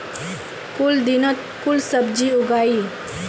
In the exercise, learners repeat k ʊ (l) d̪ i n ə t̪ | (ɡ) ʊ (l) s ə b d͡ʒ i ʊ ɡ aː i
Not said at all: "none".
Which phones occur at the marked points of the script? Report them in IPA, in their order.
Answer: l, k, l

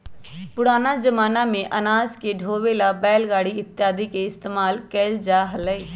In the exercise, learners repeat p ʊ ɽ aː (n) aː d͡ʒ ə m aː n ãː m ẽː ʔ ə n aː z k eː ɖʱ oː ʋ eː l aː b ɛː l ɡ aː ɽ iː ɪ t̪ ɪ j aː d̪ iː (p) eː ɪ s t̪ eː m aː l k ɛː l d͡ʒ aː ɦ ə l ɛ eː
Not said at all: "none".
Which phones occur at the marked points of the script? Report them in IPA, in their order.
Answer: n, k

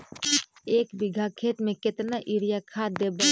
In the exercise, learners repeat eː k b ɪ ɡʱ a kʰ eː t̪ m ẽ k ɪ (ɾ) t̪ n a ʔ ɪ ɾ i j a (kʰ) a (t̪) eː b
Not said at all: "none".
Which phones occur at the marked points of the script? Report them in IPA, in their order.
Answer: none, kʰ, d̪

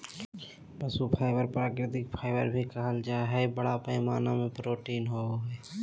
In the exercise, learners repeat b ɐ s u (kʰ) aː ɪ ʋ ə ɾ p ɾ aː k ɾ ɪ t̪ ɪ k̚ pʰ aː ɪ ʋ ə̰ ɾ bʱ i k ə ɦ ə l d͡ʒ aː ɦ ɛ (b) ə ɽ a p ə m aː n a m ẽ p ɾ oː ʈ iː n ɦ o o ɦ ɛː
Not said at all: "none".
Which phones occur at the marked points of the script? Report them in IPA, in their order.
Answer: pʰ, b

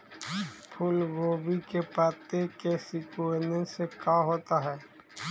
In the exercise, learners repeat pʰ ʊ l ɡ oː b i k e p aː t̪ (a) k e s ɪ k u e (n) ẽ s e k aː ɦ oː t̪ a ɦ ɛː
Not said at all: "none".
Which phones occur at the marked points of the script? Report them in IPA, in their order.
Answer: e, n

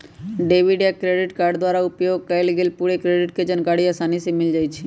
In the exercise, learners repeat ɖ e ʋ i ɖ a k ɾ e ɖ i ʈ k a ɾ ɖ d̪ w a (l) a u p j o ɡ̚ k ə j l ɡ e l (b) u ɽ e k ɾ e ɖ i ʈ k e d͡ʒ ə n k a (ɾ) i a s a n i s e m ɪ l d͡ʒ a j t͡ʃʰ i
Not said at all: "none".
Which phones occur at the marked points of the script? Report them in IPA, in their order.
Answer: ɾ, p, ɽ

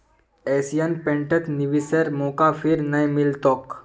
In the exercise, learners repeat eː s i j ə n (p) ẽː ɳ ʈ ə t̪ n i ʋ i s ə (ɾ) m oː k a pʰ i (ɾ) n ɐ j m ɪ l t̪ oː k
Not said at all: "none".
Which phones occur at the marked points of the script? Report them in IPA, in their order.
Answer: p, ɾ, ɾ

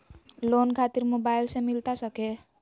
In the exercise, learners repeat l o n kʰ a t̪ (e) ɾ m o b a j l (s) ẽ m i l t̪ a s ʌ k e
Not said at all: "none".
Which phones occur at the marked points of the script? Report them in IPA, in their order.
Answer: i, s

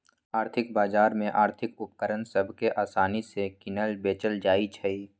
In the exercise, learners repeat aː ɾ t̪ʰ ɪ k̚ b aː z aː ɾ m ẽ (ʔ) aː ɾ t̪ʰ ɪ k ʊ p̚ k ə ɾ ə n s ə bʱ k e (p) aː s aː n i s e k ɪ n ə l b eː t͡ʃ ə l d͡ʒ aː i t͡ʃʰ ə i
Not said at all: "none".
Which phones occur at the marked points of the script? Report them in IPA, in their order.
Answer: ʔ, ʔ

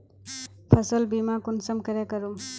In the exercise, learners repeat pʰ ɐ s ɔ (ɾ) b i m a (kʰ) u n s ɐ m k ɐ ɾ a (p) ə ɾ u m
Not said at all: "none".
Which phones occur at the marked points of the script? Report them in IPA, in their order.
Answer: l, k, k

